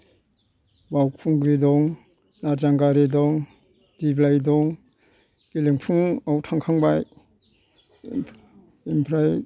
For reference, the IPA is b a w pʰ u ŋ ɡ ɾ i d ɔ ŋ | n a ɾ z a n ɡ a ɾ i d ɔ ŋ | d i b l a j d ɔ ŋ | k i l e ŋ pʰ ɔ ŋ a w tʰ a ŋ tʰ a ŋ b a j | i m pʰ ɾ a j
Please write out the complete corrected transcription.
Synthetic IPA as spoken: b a w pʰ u ŋ ɡ ɾ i d ɔ ŋ | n a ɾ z a ŋ ɡ a ɾ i d ɔ ŋ | d i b l a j d ɔ ŋ | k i l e ŋ pʰ u ŋ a w tʰ a ŋ kʰ a ŋ b a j | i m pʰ ɾ a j